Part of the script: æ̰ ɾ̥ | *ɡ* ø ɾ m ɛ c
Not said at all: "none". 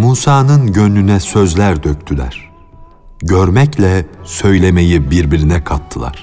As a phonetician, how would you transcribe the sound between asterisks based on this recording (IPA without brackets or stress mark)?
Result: ɟ